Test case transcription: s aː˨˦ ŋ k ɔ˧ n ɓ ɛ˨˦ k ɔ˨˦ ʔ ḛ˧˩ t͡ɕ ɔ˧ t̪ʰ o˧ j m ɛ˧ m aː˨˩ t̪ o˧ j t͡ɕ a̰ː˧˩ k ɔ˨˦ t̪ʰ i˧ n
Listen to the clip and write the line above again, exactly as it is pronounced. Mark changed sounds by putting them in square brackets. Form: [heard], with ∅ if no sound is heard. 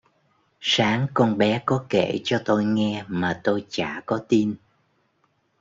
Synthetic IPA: s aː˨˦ ŋ k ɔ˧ n ɓ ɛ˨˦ k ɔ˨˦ [k] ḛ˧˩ t͡ɕ ɔ˧ [t̪] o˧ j [ŋ] ɛ˧ m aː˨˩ t̪ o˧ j t͡ɕ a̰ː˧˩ k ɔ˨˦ [t̪] i˧ n